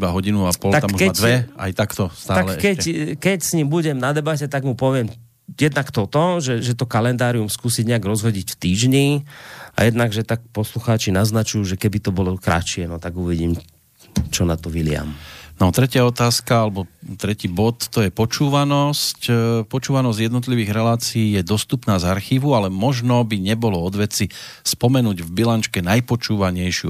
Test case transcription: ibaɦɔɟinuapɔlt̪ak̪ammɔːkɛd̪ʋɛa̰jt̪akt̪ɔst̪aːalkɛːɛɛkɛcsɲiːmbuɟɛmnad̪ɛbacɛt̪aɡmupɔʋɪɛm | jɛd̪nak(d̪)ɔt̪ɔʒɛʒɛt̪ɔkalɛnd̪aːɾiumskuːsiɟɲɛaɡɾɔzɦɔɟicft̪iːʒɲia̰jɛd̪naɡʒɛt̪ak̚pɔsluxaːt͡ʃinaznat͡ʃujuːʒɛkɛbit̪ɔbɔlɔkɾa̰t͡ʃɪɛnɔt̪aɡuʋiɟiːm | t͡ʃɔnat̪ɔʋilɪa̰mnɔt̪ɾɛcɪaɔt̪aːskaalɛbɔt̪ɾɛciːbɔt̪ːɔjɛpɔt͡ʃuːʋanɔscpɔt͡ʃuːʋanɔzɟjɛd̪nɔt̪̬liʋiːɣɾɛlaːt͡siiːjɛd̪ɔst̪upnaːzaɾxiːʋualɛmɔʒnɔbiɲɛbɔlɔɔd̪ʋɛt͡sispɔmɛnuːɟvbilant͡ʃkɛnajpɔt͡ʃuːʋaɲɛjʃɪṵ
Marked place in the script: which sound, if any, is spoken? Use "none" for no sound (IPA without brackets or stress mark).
t̪